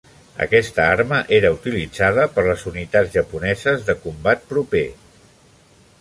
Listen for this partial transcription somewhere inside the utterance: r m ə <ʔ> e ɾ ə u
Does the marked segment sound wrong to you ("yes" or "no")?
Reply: no